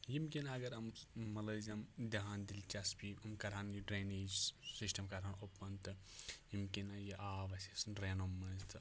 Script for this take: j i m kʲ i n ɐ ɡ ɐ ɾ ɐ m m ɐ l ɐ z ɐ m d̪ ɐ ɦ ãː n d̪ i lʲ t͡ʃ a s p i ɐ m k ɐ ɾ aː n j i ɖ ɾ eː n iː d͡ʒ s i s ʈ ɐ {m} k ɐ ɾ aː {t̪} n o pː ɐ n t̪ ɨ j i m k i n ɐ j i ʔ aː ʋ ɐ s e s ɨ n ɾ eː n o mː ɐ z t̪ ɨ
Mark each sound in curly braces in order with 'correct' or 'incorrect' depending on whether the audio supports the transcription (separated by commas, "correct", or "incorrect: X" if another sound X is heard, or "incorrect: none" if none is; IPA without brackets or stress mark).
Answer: correct, incorrect: none